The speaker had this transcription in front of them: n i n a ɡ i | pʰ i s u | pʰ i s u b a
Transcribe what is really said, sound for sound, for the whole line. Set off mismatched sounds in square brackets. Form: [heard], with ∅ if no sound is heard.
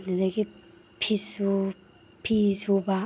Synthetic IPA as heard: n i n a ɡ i | pʰ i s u | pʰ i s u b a